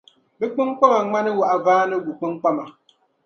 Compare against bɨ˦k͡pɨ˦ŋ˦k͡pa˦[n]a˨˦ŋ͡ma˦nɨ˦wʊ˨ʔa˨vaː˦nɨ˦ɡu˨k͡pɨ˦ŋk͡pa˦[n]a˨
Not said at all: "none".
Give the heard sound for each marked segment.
m, m

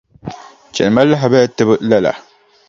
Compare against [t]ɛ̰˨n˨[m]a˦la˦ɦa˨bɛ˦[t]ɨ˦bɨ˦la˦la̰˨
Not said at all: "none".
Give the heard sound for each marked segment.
t͡ʃ, m, t

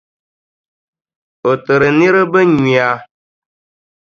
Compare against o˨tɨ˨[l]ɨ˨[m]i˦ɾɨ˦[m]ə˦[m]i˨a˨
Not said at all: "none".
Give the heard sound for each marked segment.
ɾ, n, b, ɲ

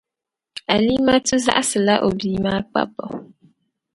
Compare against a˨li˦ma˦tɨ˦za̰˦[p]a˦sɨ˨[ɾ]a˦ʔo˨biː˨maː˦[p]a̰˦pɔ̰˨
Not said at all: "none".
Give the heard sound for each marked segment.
ʔ, l, k͡p

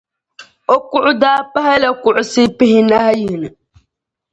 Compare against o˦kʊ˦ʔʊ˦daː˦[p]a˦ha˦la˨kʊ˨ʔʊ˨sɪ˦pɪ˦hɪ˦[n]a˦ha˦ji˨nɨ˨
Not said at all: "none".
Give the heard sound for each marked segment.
p, n

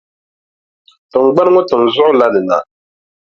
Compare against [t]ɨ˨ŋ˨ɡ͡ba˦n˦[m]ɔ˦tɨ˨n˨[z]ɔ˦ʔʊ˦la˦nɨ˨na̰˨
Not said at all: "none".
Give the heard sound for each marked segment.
t, ŋ, z

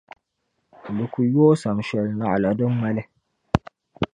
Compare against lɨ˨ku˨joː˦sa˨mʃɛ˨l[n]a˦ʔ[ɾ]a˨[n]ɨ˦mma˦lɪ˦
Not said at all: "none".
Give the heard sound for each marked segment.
n, l, d

